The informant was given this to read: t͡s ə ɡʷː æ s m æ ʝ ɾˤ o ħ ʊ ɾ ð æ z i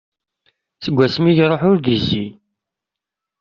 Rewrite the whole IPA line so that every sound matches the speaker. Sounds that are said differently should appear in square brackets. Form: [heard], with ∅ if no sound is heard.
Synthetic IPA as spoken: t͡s ə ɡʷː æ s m [i] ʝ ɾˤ o ħ ʊ ɾ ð [i] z i